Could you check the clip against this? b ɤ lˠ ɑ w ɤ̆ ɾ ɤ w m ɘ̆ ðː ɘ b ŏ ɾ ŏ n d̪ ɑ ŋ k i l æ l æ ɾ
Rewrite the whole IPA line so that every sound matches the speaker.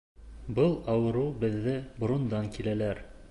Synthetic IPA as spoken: b ɤ lˠ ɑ w ɤ̆ ɾ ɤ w b ɘ̆ ðː ɘ b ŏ ɾ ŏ n d̪ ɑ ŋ k i l æ l æ ɾ